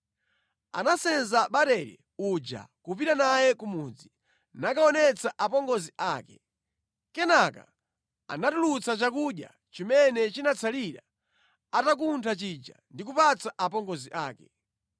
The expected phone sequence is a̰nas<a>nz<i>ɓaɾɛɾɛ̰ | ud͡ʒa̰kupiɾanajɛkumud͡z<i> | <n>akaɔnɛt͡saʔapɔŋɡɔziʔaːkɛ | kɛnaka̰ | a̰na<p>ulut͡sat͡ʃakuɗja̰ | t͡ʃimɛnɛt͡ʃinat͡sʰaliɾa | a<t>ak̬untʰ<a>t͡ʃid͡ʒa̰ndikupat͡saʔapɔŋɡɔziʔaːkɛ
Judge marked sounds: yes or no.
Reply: no, no, yes, yes, no, yes, yes

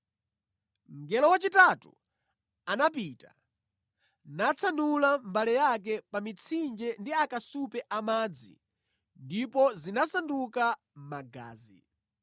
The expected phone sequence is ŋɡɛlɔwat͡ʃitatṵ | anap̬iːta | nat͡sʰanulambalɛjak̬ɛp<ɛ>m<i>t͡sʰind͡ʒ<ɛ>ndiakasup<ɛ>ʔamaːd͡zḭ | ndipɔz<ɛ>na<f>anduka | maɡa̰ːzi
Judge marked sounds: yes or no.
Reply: no, yes, yes, yes, no, no

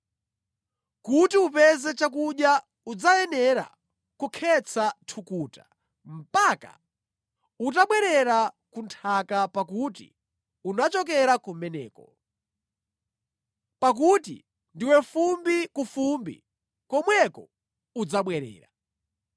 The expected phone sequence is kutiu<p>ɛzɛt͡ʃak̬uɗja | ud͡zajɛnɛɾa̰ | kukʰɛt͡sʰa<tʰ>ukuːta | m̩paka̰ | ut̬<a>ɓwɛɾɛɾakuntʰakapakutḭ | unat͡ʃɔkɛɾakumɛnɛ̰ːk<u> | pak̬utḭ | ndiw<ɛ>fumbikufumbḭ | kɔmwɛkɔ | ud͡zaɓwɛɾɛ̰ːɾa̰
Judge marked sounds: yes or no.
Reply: yes, yes, yes, no, yes

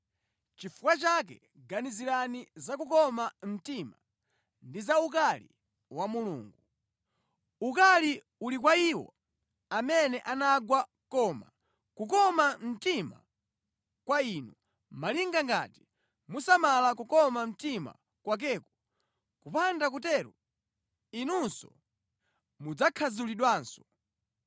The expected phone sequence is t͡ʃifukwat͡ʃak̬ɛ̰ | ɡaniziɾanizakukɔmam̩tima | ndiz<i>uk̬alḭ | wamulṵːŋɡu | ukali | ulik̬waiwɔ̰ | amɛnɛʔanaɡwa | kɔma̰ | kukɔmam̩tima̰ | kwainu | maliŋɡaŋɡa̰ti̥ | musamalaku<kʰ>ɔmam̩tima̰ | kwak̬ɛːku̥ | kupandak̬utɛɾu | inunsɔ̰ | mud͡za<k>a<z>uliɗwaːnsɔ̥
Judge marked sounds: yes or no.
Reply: no, no, no, yes

